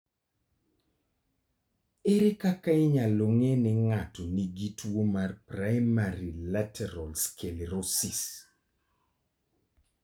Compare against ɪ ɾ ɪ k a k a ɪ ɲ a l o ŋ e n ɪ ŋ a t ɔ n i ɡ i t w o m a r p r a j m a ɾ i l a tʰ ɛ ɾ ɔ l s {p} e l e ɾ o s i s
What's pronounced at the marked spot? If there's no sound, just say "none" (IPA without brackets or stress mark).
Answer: k